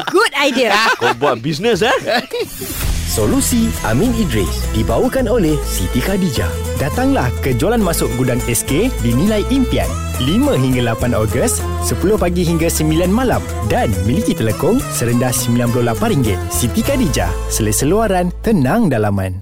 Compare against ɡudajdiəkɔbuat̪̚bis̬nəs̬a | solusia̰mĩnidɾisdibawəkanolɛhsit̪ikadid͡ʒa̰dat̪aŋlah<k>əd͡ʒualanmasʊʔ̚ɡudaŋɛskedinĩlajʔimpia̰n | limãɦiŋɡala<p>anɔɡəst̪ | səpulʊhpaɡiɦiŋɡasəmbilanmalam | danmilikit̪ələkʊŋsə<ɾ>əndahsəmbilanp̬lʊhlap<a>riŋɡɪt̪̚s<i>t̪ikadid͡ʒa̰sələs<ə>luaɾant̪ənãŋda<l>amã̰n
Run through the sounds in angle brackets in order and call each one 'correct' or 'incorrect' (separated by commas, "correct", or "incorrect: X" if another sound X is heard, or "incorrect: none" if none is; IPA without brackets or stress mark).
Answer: correct, correct, correct, correct, correct, correct, correct